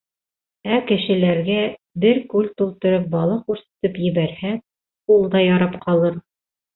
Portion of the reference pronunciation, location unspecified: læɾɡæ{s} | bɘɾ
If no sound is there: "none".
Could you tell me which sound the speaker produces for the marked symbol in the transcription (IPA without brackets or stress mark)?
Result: none